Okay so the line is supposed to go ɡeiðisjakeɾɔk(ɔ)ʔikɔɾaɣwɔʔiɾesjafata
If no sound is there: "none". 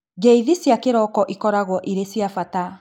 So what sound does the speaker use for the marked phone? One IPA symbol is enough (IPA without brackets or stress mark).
ɔ